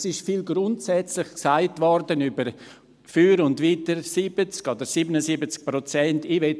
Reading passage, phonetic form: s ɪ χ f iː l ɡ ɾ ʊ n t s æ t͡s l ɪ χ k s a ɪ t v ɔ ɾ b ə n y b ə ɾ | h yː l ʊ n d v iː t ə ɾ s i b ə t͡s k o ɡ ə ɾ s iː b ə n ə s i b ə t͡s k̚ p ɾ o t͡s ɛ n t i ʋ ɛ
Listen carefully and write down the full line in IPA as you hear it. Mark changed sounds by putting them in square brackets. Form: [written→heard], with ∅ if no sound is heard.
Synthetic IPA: s ɪ [χ→ʃ] f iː l ɡ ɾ ʊ n t s [æ→ɛ] t͡s l ɪ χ k s a ɪ t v ɔ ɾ [b→d] ə n y b ə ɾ | [h→f] yː [l→ɾ] ʊ n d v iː t ə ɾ s i b ə t͡s k o [ɡ→d] ə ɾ s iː b ə n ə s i b ə t͡s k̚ p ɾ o t͡s ɛ n t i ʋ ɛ

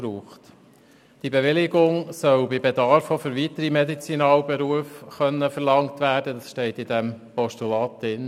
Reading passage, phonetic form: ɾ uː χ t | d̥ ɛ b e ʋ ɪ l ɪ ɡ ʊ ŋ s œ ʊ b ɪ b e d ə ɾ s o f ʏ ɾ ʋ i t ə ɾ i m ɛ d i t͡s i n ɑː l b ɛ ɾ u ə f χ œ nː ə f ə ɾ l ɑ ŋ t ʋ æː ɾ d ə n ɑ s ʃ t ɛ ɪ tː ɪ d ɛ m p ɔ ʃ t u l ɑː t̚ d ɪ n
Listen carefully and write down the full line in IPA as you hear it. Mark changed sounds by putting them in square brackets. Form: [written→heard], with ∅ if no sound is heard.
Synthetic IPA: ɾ uː χ t | d̥ [ɛ→i] b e ʋ ɪ l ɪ ɡ ʊ ŋ s œ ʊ b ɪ b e d [ə→ɑ] ɾ [s→f] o f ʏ ɾ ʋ i t ə ɾ i m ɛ d i t͡s i n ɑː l b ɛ ɾ u ə f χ œ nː ə f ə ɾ l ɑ ŋ t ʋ æː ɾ d ə [n→d] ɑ s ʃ t ɛ ɪ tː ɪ d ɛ m p ɔ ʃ t u l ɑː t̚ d ɪ n

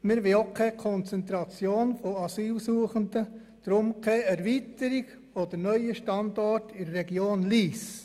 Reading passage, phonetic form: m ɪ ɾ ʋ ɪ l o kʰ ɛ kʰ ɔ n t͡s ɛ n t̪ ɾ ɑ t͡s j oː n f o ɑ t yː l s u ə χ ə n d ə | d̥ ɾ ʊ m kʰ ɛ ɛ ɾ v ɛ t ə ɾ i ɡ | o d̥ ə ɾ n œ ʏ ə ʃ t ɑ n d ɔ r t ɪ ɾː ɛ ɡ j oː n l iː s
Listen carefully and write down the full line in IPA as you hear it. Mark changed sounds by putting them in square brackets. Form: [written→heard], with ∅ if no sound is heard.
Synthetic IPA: m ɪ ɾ ʋ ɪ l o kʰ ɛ kʰ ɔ n t͡s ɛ n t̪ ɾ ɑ t͡s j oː n f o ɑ [t→s] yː l s u ə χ ə n d ə | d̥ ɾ ʊ m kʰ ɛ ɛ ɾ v [ɛ→i] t ə ɾ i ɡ | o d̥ ə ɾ n œ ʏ ə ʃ t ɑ n d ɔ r t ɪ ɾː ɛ ɡ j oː n l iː s

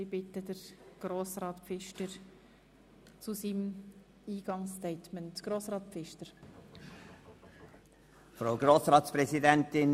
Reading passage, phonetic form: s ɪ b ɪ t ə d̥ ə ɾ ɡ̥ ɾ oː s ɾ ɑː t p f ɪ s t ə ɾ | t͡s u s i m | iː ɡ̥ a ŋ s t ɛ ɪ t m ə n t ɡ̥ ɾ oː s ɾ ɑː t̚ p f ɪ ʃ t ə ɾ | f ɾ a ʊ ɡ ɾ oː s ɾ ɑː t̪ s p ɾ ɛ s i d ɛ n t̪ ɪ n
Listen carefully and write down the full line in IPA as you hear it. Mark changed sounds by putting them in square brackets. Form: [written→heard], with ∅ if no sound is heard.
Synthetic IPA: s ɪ b ɪ t ə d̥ ə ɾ ɡ̥ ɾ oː s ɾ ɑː t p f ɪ [s→ʃ] t ə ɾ | t͡s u s i m | iː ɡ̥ [a→ɑ] ŋ s t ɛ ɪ t m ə n t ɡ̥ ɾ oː s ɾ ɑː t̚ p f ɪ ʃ t ə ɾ | f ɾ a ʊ ɡ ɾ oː s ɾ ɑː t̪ s p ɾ ɛ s i d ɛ n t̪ ɪ n

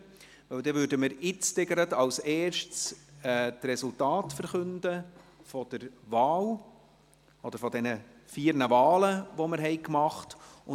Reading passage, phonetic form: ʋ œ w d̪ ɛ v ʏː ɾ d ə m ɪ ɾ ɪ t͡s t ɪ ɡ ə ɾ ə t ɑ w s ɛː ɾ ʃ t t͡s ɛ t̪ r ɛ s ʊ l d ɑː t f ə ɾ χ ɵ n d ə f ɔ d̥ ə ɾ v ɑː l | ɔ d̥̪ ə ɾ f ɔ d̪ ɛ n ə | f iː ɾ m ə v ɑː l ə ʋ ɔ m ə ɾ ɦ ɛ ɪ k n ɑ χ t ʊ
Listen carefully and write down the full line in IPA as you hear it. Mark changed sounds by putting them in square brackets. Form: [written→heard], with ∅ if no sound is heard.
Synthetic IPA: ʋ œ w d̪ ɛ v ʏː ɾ d ə m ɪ ɾ ɪ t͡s t ɪ ɡ ə ɾ ə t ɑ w s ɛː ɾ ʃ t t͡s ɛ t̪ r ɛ s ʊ l [d→t] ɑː t f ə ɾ χ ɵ n d ə f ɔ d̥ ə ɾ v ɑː l | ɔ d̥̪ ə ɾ f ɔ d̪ ɛ n ə | f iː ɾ [m→n] ə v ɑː l ə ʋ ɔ m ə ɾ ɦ ɛ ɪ k [n→m] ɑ χ t ʊ

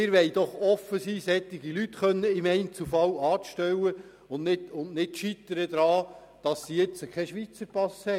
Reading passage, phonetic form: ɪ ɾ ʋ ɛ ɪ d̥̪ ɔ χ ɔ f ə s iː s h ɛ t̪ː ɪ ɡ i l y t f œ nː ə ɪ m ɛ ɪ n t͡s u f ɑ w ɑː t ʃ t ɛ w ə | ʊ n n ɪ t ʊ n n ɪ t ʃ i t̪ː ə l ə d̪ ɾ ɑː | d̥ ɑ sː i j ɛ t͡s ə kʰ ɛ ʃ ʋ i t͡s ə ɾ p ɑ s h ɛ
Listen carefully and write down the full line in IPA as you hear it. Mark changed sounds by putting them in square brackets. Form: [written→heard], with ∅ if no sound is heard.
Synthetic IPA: ɪ ɾ ʋ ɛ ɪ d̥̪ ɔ χ ɔ f ə s iː s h ɛ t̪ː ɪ ɡ i l y t [f→χ] œ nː ə ɪ m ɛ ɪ n t͡s u f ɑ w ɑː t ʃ t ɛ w ə | ʊ n n ɪ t ʊ n n ɪ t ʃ i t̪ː ə [l→ɾ] ə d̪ ɾ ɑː | d̥ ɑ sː i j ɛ t͡s ə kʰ ɛ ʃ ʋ i t͡s ə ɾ p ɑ s h ɛ

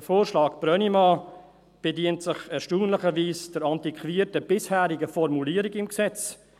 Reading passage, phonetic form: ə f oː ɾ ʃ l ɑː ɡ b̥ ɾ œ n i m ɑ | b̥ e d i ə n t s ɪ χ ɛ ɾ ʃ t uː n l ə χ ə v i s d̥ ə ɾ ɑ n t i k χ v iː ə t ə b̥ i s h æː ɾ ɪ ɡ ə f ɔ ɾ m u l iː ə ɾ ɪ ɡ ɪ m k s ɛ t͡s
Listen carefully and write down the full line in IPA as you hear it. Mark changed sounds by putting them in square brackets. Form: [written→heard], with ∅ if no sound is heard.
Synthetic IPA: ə f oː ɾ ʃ l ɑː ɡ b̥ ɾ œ n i m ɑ | b̥ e d i ə n t s ɪ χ ɛ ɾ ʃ t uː n l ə χ ə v [i→iː] s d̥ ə ɾ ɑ n t i k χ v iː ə t ə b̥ [i→ɪ] s h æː ɾ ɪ ɡ ə f ɔ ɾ m u l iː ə ɾ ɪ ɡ ɪ m k s ɛ t͡s

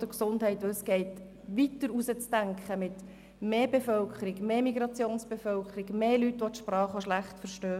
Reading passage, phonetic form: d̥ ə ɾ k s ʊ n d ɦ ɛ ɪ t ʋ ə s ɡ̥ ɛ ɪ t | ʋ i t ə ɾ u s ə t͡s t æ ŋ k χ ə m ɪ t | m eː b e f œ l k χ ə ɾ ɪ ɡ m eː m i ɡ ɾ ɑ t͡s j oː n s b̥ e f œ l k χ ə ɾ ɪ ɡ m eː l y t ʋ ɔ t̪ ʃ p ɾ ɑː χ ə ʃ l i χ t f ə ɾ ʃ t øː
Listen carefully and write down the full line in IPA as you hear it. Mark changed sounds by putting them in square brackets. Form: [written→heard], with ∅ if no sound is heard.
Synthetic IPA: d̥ ə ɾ k s ʊ n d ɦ ɛ ɪ t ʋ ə s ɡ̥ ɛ ɪ t | ʋ i t ə ɾ u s ə t͡s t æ ŋ k χ ə m ɪ t | m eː b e f œ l k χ ə ɾ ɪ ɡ m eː m i ɡ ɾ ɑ t͡s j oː n s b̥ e f œ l k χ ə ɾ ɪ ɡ m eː l y t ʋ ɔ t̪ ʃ p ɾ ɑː χ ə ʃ l [i→æ] χ t f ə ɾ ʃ t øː

